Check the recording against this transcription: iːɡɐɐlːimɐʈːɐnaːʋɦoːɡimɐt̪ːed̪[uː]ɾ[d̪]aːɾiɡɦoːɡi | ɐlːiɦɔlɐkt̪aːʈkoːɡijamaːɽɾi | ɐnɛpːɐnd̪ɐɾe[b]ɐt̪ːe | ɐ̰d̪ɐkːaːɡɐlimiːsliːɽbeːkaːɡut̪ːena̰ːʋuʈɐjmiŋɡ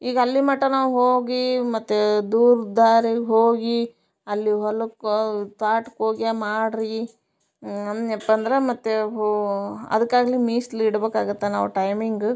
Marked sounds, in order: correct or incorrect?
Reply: correct, correct, incorrect: m

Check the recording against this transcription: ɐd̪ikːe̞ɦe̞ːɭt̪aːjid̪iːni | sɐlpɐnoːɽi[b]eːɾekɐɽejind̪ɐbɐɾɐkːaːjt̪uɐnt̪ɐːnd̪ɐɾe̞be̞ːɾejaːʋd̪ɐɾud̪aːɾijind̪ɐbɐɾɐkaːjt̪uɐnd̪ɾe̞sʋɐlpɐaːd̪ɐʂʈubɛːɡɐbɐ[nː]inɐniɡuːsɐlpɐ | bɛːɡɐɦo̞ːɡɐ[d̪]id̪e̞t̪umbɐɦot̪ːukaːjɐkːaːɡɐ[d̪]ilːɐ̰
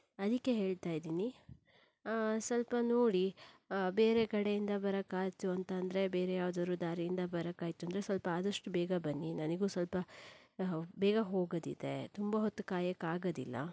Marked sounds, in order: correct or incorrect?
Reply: correct, correct, correct, correct

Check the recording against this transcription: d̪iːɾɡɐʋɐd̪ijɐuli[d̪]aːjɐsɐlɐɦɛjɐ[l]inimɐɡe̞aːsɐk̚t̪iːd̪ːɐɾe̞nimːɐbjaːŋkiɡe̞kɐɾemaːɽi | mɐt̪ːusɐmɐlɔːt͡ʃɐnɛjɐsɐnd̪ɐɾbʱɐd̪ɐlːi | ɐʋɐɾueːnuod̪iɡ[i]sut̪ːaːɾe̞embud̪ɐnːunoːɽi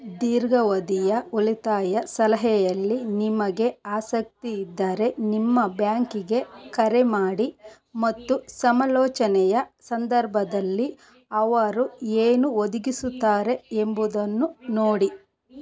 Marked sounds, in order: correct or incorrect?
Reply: incorrect: t̪, incorrect: lː, correct

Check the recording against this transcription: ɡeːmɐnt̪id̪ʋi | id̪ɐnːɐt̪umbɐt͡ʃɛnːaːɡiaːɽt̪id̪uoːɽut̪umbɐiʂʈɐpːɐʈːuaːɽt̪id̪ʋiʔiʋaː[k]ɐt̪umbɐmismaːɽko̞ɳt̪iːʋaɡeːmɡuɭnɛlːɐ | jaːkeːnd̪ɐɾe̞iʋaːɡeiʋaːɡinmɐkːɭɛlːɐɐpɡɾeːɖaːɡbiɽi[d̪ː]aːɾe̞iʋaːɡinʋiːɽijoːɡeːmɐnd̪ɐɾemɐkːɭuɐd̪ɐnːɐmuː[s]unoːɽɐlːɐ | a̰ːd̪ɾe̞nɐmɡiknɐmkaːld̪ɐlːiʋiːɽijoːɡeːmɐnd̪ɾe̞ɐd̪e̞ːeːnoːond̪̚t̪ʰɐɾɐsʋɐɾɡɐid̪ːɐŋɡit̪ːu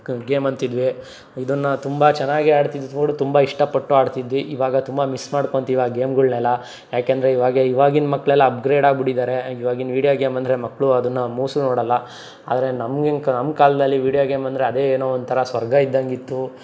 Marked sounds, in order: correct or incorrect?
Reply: incorrect: ɡ, incorrect: d̪, correct

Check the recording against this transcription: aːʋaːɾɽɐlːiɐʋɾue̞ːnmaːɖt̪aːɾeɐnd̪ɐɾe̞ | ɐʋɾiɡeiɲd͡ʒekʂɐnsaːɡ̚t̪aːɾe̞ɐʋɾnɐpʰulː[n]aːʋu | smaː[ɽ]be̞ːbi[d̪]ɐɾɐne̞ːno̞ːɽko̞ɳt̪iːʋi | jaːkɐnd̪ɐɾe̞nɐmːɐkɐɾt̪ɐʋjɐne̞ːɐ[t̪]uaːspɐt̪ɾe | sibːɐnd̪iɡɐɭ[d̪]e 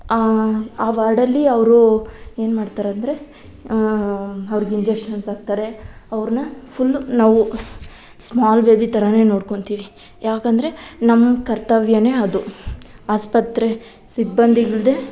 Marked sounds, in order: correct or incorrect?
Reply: correct, incorrect: l, incorrect: t̪, incorrect: d̪, correct

